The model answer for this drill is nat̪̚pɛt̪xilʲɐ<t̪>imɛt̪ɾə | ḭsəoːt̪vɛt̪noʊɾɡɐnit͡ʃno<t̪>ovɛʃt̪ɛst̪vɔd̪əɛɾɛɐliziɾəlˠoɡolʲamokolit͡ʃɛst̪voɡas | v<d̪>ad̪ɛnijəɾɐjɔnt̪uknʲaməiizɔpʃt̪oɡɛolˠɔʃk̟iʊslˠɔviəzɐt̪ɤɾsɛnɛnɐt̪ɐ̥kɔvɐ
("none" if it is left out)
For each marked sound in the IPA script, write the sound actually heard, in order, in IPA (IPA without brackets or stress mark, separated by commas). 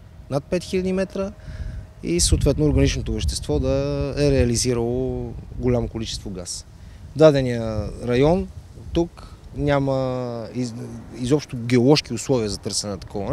d̪, t̪, d̪